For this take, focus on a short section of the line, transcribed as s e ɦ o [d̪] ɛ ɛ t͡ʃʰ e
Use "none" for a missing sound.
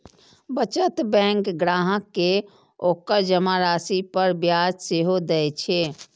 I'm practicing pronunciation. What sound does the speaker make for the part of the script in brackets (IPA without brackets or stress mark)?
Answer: d̪